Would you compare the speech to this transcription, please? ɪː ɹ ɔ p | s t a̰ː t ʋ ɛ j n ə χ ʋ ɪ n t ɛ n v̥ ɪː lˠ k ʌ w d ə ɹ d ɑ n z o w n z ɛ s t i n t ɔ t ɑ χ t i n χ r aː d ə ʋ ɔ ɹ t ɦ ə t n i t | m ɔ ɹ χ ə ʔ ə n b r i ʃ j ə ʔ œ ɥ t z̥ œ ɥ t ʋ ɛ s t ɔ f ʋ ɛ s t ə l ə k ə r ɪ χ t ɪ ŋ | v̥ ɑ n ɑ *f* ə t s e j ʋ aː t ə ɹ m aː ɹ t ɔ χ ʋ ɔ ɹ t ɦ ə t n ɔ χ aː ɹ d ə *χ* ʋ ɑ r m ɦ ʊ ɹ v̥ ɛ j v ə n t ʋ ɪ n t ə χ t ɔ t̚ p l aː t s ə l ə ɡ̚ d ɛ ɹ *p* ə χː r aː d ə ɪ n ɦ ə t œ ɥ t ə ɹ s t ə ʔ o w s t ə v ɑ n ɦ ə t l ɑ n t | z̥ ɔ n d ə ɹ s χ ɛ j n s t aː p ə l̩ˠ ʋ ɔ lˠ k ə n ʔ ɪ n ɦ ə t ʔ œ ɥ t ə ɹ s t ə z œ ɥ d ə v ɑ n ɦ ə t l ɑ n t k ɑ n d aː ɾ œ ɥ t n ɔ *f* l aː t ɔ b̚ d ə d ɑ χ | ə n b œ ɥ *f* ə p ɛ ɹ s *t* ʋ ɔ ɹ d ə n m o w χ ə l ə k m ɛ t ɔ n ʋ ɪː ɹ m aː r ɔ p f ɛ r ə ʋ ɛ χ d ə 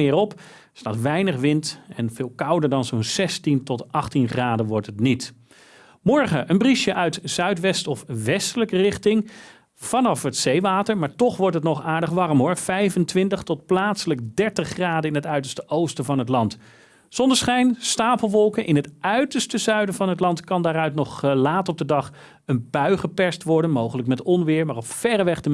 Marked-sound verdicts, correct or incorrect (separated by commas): correct, correct, incorrect, incorrect, incorrect, correct